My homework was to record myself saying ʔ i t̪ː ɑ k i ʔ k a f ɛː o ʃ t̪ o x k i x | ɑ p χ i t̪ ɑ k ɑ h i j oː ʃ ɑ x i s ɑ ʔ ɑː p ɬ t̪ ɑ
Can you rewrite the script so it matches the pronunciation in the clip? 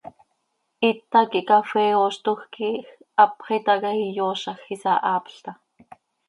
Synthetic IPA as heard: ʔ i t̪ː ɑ k i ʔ k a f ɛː o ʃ t̪ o x k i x | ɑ p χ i t̪ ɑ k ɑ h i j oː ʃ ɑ x i s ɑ ʔ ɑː p ɬ t̪ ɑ

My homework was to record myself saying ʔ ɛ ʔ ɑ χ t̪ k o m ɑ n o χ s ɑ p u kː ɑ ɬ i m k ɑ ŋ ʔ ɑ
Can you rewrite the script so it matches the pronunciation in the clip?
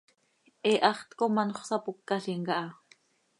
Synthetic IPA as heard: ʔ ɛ ʔ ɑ χ t̪ k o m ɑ n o χ s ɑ p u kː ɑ ɬ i ŋ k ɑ ʔ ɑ

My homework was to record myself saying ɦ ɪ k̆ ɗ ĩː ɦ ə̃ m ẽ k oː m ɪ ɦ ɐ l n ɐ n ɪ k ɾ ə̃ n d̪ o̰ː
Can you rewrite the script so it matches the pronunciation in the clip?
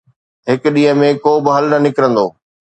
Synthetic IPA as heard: ɦ ɪ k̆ ɗ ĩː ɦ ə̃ m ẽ k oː b ɪ ɦ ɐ l n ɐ n ɪ k ɾ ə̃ n d̪ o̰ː

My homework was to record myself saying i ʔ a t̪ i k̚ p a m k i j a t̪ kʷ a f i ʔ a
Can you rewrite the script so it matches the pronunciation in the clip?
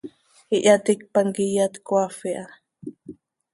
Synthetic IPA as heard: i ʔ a t̪ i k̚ p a ŋ k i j a t̪ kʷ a f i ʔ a

